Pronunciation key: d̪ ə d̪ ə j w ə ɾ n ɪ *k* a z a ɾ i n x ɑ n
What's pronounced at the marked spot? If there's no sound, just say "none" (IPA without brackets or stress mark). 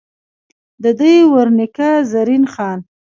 k